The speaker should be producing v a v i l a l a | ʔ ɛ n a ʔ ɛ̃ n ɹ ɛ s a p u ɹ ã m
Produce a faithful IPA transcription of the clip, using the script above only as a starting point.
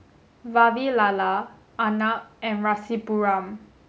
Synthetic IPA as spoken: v a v i l a l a | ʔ a n a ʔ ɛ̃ n ɹ a s i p u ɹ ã m